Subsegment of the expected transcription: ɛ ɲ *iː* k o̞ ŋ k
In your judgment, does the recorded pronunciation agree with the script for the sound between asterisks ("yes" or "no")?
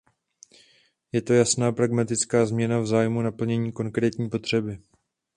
yes